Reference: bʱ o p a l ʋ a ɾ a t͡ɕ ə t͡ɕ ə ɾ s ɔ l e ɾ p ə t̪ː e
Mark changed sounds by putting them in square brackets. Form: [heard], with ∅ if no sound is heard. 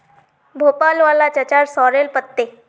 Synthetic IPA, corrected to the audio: bʱ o p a l ʋ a [l] a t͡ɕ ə t͡ɕ [a] ɾ s ɔ [ɾ] e [l] p ə t̪ː e